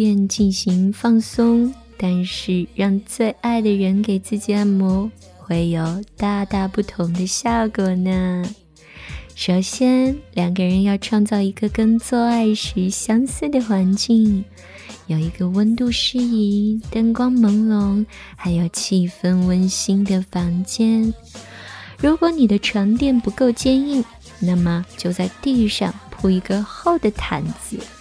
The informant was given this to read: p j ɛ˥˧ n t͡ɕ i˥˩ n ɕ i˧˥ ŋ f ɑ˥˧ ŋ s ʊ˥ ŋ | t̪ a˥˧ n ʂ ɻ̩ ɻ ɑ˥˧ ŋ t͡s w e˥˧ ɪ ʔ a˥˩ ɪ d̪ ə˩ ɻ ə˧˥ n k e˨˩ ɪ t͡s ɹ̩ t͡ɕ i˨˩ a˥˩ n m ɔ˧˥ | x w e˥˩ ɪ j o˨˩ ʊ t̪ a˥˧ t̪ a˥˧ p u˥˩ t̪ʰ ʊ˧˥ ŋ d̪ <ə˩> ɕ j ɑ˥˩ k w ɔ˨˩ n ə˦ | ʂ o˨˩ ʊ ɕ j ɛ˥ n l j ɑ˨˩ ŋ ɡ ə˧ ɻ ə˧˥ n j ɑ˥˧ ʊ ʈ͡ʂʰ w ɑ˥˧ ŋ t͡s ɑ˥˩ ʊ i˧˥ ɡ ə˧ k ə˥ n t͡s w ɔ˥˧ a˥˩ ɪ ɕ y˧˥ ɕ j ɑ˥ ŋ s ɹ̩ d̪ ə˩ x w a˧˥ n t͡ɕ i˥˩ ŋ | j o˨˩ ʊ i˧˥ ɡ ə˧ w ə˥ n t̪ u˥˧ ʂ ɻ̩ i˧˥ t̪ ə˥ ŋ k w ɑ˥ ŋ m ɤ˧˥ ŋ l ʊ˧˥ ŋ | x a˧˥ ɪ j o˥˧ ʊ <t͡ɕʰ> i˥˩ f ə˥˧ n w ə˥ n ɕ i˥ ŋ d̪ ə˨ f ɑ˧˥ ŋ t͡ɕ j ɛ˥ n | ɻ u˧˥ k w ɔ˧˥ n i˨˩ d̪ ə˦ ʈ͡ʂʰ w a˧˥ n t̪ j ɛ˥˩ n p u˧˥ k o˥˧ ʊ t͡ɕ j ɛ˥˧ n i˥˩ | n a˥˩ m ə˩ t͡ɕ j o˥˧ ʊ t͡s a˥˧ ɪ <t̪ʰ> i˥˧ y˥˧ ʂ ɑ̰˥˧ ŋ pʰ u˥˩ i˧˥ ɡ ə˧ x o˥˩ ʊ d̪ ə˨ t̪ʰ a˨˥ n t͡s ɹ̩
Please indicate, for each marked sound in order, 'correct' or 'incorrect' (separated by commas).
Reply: incorrect, correct, incorrect